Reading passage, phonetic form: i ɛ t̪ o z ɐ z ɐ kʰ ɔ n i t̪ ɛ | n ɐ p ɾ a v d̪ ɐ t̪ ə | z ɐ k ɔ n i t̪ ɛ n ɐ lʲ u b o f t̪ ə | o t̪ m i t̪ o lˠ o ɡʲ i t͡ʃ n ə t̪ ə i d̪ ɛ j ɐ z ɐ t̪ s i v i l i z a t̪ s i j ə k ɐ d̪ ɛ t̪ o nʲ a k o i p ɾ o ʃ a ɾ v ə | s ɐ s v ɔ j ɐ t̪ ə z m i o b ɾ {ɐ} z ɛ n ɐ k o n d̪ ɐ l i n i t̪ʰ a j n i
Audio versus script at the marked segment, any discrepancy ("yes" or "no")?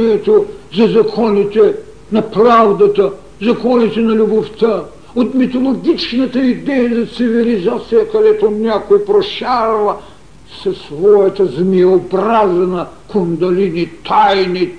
yes